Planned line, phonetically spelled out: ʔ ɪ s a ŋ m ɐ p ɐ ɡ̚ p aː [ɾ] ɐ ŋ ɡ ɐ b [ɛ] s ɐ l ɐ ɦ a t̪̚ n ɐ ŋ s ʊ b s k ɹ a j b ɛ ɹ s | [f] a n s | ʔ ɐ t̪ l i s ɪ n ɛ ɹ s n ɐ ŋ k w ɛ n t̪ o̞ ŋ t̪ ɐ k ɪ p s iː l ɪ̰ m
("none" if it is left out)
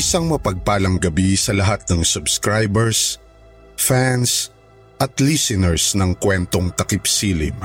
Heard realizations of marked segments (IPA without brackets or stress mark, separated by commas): l, i, f